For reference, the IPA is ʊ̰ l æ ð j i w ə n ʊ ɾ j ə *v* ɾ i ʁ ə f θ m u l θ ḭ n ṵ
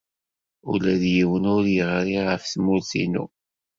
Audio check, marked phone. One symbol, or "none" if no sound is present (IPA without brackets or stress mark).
ʁ